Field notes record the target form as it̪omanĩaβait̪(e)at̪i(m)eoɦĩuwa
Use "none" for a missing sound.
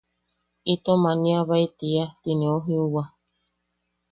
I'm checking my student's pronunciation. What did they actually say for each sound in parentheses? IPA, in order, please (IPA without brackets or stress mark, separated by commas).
i, n